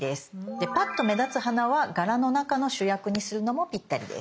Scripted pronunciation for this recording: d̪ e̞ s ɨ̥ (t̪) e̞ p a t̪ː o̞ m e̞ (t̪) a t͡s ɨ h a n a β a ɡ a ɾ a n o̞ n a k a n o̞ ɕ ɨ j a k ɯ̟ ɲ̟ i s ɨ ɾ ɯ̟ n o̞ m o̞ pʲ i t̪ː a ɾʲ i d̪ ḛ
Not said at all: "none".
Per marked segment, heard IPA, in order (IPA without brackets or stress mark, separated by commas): d̪, d̪